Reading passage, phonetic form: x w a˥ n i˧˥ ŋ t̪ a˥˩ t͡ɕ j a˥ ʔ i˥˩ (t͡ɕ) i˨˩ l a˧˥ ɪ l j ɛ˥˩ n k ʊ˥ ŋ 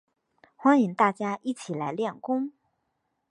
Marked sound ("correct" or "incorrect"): incorrect